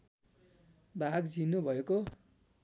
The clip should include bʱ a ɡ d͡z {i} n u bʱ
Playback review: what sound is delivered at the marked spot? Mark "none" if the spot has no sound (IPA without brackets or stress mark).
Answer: i